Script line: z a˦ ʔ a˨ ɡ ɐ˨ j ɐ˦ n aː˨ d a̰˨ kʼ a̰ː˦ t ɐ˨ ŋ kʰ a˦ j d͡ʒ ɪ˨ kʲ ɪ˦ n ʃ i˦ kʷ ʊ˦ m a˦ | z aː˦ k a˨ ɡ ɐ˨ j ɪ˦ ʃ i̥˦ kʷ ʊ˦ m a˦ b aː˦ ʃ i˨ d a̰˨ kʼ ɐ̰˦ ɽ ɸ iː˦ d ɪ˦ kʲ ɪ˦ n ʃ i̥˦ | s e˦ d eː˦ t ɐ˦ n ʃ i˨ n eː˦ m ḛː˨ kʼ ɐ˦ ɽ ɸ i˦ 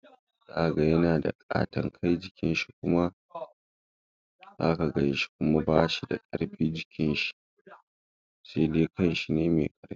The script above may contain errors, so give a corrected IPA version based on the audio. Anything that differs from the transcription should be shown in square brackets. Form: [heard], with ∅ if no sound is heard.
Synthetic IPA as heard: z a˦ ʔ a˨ ɡ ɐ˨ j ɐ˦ n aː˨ d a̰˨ kʼ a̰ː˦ t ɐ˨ ŋ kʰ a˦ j d͡ʒ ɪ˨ kʲ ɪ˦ n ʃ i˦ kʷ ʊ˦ m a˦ | z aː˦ k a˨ ɡ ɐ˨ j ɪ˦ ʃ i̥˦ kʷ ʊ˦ m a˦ b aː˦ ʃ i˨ d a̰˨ kʼ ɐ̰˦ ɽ ɸ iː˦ [d͡ʒ] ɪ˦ kʲ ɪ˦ n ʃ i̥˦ | s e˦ d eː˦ [k] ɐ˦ n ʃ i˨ n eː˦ m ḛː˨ kʼ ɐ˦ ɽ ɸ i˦

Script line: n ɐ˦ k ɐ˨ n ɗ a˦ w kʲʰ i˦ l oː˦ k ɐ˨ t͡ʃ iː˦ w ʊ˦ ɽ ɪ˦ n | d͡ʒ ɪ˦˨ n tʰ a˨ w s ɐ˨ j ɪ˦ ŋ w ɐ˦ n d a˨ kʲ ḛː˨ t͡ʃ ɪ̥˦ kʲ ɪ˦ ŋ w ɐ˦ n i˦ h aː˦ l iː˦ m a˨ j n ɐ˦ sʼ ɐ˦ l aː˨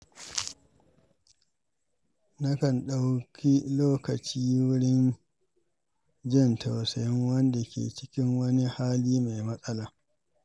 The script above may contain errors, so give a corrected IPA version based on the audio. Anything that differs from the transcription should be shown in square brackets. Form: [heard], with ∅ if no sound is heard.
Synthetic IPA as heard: n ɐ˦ k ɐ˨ n ɗ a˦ w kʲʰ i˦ l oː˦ k ɐ˨ t͡ʃ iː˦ w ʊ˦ ɽ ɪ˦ n | d͡ʒ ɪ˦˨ n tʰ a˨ w s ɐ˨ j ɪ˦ ŋ w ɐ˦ n d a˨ kʲ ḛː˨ t͡ʃ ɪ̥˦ kʲ ɪ˦ ŋ w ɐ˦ n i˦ h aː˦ l iː˦ m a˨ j [m] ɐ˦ sʼ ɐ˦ l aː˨

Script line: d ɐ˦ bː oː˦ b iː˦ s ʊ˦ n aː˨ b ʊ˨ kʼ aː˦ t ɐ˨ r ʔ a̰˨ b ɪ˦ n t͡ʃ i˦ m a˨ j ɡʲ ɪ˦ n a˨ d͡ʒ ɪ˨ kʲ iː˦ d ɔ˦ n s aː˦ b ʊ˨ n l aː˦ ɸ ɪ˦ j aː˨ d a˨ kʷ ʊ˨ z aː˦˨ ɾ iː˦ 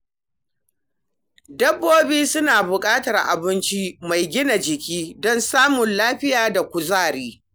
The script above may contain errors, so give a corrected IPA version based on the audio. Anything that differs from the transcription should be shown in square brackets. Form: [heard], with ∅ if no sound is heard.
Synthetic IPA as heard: d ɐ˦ bː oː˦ b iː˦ s ʊ˦ n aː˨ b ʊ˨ kʼ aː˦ t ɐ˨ r ʔ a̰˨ b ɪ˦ n t͡ʃ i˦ m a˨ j ɡʲ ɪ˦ n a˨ d͡ʒ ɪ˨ kʲ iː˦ d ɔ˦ n s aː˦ [m] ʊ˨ n l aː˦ ɸ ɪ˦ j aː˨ d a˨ kʷ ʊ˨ z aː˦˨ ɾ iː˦

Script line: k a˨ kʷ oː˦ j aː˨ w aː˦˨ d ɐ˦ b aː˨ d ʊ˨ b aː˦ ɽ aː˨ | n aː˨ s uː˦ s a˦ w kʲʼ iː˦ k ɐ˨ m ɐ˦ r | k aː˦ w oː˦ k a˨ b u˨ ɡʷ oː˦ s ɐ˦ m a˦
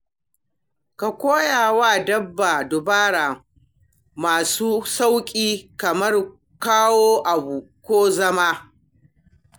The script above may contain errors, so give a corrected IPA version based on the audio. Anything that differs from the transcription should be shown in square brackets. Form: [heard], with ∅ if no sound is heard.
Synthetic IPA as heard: k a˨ kʷ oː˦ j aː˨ w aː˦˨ d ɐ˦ [bː] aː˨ d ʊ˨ b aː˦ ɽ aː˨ | [m] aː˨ s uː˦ s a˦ w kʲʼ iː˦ k ɐ˨ m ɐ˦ r | k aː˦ w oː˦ [ʔ] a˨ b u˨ [kʷ] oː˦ [z] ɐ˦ m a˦

